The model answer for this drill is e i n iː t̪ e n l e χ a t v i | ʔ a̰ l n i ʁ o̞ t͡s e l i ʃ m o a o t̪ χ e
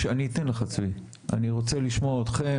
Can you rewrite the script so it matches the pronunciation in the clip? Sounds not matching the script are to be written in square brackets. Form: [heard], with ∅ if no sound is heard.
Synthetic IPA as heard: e [a] n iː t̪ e n l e χ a [t͡s] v i | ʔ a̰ [∅] n i ʁ o̞ t͡s e l i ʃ m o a o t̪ χ e